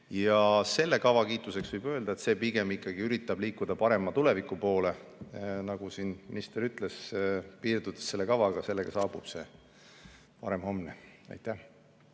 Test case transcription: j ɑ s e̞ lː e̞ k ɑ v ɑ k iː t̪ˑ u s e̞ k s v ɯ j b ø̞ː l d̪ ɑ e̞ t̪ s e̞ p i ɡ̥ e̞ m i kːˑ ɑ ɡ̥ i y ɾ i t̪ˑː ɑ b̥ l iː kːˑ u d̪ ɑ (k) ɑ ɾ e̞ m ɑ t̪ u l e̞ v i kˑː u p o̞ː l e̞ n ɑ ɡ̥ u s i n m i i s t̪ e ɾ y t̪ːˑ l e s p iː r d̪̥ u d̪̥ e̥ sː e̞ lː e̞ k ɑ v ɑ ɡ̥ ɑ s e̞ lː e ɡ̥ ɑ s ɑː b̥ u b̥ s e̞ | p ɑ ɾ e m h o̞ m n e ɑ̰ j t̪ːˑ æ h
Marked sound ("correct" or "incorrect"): incorrect